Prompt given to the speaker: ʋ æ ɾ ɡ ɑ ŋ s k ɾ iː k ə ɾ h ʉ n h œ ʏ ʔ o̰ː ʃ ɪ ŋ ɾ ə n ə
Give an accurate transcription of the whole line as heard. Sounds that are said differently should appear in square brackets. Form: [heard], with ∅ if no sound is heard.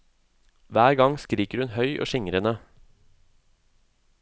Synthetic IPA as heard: ʋ [æː] ɾ ɡ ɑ ŋ s k ɾ iː k ə ɾ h ʉ n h œ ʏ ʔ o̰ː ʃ ɪ ŋ ɾ ə n ə

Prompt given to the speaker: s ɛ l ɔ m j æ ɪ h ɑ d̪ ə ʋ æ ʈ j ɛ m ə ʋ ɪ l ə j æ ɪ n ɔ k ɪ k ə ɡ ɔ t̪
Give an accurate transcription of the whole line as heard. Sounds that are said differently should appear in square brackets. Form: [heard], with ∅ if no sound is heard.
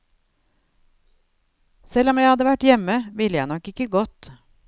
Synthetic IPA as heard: s ɛ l ɔ m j æ ɪ h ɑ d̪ ə ʋ æ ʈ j ɛ m ə ʋ ɪ l ə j æ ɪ n ɔ k ɪ k ə ɡ ɔ t̪

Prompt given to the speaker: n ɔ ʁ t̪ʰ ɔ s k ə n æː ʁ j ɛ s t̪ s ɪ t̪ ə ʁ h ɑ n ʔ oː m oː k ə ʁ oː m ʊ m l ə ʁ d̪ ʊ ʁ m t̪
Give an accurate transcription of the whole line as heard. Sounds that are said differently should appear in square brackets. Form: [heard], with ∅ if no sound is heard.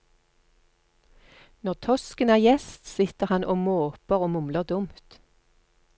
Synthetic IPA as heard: n ɔ ʁ t̪ʰ ɔ s k ə n æː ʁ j ɛ s t̪ s ɪ t̪ ə ʁ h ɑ n ʔ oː m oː [p] ə ʁ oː m ʊ m l ə ʁ d̪ ʊ [∅] m t̪

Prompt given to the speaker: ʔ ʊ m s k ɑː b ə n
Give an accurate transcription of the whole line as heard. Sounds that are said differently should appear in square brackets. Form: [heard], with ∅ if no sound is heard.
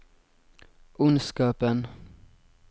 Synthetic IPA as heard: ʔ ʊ [n] s k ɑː [p] ə n

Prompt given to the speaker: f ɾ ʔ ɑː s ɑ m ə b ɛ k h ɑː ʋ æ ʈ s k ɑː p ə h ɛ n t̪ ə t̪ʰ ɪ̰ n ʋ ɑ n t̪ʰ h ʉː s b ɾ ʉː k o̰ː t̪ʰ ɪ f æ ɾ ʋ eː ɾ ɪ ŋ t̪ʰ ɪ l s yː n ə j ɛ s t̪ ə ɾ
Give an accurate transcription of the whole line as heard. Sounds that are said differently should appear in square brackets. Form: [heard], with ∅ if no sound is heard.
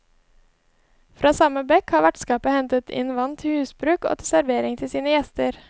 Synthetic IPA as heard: f ɾ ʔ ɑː s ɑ m ə b ɛ k h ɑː ʋ æ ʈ s k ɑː p ə h ɛ n t̪ ə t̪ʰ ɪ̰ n ʋ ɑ n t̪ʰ h ʉː s b ɾ ʉː k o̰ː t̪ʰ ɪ [s] æ ɾ ʋ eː ɾ ɪ ŋ t̪ʰ ɪ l s [iː] n ə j ɛ s t̪ ə ɾ

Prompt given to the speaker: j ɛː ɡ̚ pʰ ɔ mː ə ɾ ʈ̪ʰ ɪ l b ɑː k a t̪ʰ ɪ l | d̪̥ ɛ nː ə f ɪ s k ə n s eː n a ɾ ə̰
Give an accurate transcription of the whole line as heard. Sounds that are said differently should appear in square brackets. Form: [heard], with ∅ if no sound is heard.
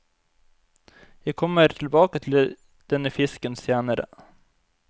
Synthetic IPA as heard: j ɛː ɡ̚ [kʰ] ɔ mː ə ɾ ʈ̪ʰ ɪ l b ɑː k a t̪ʰ ɪ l | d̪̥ ɛ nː ə f ɪ s k ə n s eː n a ɾ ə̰

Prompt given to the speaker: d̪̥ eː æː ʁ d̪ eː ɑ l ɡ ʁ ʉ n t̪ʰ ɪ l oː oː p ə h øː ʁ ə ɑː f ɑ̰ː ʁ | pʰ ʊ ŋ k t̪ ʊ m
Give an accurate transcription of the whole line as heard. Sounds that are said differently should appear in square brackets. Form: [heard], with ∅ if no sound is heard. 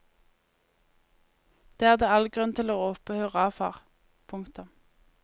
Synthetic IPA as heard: d̪̥ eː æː ʁ d̪ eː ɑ l ɡ ʁ ʉ n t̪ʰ ɪ l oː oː p ə h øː ʁ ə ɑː f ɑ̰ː ʁ | pʰ ʊ ŋ k t̪ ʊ m

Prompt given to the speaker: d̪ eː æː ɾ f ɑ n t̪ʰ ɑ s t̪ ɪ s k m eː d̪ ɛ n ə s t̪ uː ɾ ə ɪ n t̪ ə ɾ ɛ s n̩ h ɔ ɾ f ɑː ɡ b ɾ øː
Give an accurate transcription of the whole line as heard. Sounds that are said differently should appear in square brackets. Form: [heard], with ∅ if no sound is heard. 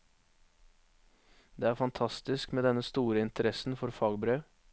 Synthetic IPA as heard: d̪ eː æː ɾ f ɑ n t̪ʰ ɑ s t̪ ɪ s k m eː d̪ ɛ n ə s t̪ uː ɾ ə ɪ n t̪ ə ɾ ɛ s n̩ [f] ɔ ɾ f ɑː ɡ b ɾ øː

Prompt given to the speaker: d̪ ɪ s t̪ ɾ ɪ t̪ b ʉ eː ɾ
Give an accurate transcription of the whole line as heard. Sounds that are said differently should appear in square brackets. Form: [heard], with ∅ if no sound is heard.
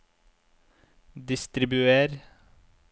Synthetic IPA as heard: d̪ ɪ s t̪ ɾ ɪ [∅] b ʉ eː ɾ

